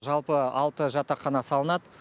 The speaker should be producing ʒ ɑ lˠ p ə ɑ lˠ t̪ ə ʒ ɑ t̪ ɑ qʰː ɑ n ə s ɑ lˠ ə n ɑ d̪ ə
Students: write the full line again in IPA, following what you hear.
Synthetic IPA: ʒ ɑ lˠ p ə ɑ lˠ t̪ ə ʒ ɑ t̪ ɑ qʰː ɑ n ɑ s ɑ lˠ ə n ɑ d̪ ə